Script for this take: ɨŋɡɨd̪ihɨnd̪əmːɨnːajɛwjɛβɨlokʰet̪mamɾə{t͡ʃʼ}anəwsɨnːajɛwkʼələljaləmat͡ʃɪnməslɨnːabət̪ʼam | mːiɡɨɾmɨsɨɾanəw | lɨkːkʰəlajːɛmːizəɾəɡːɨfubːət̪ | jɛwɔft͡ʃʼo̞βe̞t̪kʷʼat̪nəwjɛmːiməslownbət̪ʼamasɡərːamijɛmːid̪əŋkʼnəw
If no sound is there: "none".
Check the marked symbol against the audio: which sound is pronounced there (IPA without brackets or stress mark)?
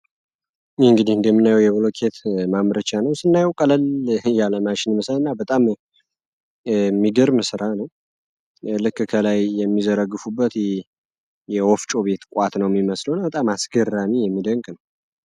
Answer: t͡ʃ